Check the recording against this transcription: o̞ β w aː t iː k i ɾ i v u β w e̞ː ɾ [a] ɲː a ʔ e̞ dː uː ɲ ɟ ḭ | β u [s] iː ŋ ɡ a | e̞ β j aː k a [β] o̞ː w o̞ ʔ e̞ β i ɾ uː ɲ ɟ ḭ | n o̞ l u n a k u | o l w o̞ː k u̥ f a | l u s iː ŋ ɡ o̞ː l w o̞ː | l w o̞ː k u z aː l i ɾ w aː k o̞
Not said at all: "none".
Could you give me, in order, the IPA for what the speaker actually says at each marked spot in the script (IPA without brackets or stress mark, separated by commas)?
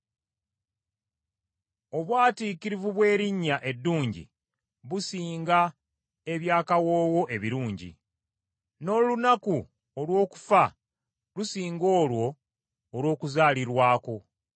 i, s, w